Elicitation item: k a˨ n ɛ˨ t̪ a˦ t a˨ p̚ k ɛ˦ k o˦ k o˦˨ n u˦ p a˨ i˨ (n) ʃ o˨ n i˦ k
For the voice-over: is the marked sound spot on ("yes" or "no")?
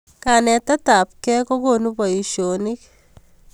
no